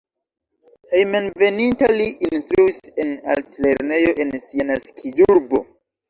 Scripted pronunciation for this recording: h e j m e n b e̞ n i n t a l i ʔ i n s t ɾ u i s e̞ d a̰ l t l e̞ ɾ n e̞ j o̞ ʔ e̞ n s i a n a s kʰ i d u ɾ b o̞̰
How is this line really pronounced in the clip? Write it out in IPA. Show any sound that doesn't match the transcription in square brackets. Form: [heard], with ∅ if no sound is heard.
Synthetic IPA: h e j m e n [v] e̞ n i n t a l i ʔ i n s t ɾ u i s e̞ [n] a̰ l t l e̞ ɾ n e̞ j o̞ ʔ e̞ n s i a n a s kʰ i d u ɾ b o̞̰